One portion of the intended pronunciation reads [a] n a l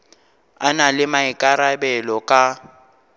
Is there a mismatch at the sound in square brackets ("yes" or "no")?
no